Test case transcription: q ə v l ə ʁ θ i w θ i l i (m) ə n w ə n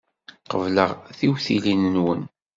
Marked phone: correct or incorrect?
incorrect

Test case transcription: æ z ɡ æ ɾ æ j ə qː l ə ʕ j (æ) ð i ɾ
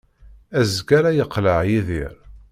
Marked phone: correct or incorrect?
incorrect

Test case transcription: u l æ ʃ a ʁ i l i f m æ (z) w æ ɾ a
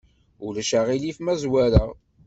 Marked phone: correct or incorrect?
correct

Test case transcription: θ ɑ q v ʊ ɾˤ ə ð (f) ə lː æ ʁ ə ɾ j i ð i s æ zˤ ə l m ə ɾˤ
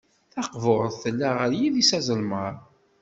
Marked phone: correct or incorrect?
incorrect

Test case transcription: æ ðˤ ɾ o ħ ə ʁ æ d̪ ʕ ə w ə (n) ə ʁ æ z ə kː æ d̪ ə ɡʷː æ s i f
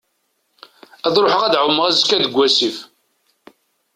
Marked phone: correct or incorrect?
incorrect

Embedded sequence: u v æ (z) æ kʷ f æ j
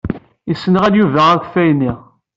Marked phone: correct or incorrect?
incorrect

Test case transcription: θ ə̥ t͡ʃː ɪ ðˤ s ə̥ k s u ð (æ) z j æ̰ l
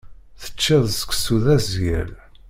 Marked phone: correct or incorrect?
correct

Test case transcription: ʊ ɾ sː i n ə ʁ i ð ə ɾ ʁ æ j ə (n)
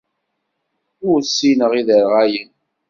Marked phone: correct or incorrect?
correct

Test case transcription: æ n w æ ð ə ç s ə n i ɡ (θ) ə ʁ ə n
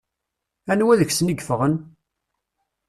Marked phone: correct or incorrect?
incorrect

